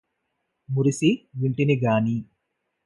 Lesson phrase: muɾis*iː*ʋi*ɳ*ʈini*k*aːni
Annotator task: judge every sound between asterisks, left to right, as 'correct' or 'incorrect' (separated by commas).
incorrect, correct, incorrect